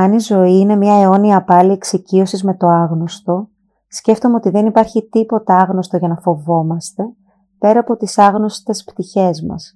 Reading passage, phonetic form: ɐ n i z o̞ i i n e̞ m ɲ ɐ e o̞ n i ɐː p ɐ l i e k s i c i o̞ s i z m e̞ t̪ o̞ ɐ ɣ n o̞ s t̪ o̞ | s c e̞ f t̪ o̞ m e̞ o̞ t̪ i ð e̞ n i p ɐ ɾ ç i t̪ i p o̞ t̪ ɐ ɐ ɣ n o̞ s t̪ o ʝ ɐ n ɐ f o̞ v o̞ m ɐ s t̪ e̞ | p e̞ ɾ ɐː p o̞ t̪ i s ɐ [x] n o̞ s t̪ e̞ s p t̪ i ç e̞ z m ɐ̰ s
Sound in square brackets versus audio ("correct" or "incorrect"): incorrect